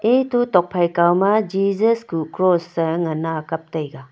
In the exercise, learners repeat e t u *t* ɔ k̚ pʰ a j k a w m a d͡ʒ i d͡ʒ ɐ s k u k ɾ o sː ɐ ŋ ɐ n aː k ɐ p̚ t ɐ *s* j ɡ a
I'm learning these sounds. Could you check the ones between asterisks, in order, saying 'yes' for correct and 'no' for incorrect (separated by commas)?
yes, no